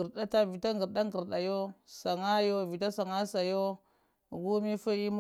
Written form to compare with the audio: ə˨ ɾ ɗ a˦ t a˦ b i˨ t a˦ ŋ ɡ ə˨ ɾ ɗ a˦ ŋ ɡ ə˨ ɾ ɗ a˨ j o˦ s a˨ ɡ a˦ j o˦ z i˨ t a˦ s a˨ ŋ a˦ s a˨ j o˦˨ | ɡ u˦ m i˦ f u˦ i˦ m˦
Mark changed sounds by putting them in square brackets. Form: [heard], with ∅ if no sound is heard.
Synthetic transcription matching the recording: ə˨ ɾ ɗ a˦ t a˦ [v] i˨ t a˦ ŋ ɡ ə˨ ɾ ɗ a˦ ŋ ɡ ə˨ ɾ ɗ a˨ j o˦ s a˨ [ŋ] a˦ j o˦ [v] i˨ t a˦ s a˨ ŋ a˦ s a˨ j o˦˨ | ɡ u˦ m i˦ f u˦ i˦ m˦